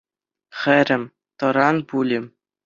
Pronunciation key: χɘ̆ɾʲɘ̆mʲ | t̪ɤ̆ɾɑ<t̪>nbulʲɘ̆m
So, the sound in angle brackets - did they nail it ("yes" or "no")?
no